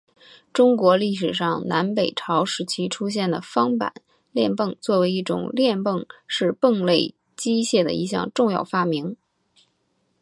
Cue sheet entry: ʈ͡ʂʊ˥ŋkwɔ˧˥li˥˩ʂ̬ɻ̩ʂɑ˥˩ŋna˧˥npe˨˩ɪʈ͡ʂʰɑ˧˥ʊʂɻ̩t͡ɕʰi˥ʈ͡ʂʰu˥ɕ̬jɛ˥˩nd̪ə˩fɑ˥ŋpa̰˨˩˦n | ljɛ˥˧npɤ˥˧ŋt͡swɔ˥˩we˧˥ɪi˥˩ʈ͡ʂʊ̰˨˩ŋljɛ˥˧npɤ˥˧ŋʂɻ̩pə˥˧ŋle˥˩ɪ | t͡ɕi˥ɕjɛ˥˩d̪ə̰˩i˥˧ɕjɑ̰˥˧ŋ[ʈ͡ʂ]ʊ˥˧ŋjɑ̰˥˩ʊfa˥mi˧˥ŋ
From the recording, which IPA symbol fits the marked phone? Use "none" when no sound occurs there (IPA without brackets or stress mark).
ʈ͡ʂ